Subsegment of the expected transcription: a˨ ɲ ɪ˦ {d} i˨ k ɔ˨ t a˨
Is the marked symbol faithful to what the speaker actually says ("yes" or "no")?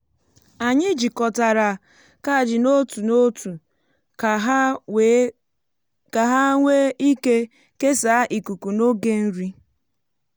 no